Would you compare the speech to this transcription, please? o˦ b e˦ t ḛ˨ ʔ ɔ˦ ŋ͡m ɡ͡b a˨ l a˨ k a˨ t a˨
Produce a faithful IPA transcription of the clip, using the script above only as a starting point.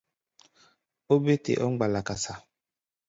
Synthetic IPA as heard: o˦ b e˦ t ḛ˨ ʔ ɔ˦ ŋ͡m ɡ͡b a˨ l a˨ k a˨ s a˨